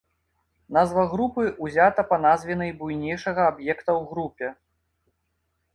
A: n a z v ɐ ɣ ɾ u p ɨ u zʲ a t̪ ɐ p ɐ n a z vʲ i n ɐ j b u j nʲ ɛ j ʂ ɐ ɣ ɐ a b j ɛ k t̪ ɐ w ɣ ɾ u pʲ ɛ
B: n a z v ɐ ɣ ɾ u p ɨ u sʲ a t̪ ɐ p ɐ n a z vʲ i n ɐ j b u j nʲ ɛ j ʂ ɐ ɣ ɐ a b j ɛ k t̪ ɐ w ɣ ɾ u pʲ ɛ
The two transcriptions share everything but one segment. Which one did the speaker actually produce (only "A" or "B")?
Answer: A